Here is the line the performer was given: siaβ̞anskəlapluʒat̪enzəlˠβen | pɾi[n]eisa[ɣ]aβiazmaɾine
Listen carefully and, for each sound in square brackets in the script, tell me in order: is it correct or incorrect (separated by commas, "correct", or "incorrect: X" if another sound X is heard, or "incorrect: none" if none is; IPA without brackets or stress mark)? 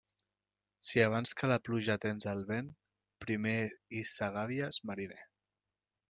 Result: incorrect: m, correct